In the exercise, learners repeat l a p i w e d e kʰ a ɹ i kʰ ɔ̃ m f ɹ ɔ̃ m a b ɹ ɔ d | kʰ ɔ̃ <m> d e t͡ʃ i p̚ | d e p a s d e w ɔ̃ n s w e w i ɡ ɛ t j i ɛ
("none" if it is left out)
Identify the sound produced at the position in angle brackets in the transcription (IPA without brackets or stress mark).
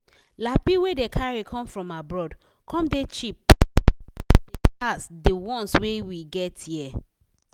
m